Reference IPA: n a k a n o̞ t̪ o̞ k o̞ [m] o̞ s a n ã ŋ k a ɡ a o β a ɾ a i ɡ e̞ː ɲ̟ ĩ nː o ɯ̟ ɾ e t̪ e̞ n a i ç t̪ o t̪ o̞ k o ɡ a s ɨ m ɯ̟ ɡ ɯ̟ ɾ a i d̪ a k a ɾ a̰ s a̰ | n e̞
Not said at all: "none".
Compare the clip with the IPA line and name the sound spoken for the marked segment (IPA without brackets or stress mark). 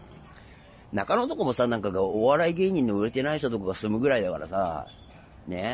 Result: m